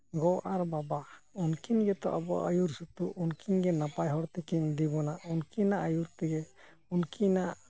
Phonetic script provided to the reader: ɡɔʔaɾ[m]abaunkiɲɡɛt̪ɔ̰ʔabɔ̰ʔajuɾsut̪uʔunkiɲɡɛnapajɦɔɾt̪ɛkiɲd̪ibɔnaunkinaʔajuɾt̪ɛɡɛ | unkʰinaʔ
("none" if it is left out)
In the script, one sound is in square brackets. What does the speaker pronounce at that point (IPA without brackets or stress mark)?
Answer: b